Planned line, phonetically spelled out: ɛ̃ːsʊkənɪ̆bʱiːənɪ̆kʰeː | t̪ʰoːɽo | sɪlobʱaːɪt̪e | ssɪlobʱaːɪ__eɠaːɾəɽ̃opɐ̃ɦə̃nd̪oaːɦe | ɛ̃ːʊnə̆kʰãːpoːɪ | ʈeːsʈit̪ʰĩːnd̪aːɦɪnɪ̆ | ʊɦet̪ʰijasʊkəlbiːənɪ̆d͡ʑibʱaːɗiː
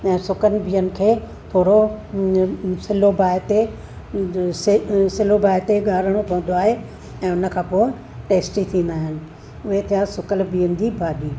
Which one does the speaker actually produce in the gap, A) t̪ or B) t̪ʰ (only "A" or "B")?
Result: A